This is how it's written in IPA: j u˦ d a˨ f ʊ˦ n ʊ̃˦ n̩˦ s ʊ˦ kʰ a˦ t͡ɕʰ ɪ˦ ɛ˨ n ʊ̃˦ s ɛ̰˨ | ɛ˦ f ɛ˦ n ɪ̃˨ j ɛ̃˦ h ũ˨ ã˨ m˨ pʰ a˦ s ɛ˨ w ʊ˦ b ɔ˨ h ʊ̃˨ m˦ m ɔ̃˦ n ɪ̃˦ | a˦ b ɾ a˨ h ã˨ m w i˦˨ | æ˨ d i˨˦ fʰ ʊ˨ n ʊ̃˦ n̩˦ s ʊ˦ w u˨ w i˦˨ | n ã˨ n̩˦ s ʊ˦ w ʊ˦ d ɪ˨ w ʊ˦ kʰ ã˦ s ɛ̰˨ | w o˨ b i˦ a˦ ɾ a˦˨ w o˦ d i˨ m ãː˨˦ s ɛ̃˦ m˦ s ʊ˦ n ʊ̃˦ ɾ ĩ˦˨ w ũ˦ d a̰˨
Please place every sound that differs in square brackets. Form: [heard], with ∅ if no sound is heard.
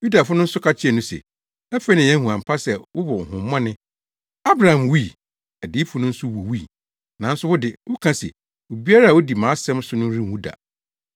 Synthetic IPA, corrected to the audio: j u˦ d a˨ f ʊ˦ n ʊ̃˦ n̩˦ s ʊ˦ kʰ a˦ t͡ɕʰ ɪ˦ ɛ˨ n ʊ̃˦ s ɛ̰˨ | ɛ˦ f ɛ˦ n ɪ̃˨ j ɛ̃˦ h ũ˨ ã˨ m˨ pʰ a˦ s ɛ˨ w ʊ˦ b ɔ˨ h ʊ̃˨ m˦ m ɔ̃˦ n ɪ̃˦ | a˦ b ɾ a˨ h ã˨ m w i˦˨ | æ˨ d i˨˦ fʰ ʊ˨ n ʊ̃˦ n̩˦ s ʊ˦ w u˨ w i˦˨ | n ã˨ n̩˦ s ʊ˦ w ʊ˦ d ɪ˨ w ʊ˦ kʰ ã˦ s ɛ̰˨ | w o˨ b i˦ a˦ ɾ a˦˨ w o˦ d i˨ m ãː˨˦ s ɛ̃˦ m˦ s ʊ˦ n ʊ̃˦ ɾ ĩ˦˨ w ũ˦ d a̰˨